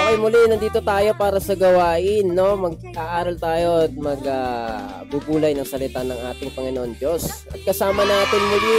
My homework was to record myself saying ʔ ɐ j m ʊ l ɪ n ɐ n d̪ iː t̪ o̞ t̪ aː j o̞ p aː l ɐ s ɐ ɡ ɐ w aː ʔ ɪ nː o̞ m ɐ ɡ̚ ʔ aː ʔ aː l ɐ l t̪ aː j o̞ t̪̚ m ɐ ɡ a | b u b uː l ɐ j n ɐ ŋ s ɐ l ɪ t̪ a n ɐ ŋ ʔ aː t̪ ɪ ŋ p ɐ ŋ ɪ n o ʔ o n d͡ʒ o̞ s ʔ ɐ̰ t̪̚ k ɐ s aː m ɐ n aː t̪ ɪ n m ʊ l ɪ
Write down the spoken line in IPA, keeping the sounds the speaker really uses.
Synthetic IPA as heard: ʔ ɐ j m ʊ l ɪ n ɐ n d̪ iː t̪ o̞ t̪ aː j o̞ p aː ɾ ɐ s ɐ ɡ ɐ w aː ʔ ɪ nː o̞ m ɐ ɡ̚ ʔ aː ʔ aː ɾ ɐ l t̪ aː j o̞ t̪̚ m ɐ ɡ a | b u b uː l ɐ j n ɐ ŋ s ɐ l ɪ t̪ a n ɐ ŋ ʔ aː t̪ ɪ ŋ p ɐ ŋ ɪ n o ʔ o n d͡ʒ o̞ s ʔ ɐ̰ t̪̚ k ɐ s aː m ɐ n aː t̪ ɪ n m ʊ l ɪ